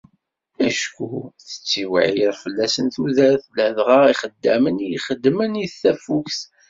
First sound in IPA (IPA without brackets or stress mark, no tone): æ